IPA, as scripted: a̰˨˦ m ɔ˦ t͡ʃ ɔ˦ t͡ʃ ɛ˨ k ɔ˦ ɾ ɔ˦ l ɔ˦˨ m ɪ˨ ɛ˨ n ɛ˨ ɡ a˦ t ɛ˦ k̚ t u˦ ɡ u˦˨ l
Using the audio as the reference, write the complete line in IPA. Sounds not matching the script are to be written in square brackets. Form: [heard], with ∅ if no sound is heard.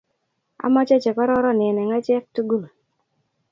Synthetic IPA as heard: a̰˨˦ m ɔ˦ t͡ʃ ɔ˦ t͡ʃ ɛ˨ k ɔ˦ ɾ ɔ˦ [ɾ] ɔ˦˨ [n] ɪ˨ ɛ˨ n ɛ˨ [ŋ] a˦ [t͡ʃ] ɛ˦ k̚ t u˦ ɡ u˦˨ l